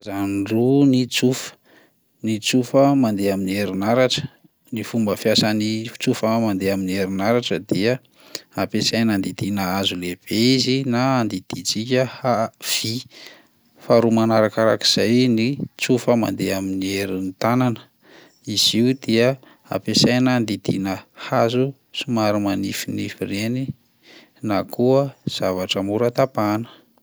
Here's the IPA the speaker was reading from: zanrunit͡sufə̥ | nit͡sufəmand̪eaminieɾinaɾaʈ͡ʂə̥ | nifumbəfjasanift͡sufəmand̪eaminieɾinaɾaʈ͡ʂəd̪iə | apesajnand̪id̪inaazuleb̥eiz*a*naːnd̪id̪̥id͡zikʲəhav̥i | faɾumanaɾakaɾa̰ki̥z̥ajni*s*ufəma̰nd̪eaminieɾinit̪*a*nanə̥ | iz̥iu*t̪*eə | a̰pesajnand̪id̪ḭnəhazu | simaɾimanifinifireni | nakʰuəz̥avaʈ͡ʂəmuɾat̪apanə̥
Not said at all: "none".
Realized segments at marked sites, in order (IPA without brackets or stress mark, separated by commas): i, t͡s, a, d̪